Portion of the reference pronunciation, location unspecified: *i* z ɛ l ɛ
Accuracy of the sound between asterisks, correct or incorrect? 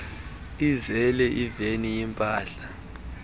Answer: correct